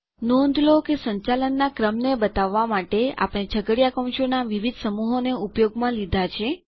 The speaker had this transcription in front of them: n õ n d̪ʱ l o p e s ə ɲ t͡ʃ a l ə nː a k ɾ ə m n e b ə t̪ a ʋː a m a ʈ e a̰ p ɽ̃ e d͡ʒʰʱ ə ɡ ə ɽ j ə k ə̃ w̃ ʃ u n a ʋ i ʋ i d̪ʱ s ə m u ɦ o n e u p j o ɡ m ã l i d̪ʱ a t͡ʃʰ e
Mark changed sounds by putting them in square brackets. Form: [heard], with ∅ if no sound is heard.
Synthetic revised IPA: n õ n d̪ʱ l o [k] e s ə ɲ t͡ʃ a l ə nː a k ɾ ə m n e b ə t̪ a ʋː a m a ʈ e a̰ p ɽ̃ e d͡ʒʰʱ ə ɡ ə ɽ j [a] k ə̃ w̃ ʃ [o] n a ʋ i ʋ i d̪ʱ s ə m u ɦ o n e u p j o ɡ m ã l i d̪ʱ a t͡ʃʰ e

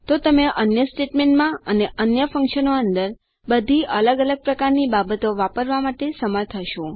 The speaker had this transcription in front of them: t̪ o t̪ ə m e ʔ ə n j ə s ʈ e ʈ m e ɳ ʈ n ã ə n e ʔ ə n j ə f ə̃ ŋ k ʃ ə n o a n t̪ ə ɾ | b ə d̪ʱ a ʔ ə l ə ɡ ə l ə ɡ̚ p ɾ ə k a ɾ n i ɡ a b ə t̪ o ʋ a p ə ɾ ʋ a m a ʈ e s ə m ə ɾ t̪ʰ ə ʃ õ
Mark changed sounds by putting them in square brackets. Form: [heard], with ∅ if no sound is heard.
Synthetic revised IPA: t̪ o t̪ ə m e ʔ ə n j ə s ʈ e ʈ m e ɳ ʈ [m] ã ə n e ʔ ə n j ə f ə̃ ŋ k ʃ ə n o [ə] n [d̪] ə ɾ | b ə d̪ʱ [i] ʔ ə l ə ɡ ə l ə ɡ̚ p ɾ ə k a ɾ n i [b] a b ə t̪ o ʋ a p ə ɾ ʋ a m a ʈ e s ə m ə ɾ t̪ʰ ə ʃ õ

